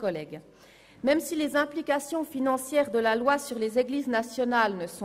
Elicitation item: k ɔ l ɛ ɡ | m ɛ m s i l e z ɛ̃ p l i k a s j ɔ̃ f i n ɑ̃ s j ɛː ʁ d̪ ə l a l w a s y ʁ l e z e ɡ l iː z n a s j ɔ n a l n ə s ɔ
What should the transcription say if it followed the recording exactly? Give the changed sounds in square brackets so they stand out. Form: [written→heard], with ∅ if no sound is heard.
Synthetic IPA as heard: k ɔ l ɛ ɡ | m ɛ m s i l e z ɛ̃ p l i k a s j ɔ̃ f i n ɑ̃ s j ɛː ʁ d̪ ə l a l w a s y ʁ l e z e ɡ l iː z n a s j ɔ n a l n ə s [ɔ→ɔ̃]